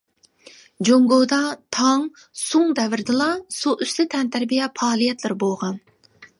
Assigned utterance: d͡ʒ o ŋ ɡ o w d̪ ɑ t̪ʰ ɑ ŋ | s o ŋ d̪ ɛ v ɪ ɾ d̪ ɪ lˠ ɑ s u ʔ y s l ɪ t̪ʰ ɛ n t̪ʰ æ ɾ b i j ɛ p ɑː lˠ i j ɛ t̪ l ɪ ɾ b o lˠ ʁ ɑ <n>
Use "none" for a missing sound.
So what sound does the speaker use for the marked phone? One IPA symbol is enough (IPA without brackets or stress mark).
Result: n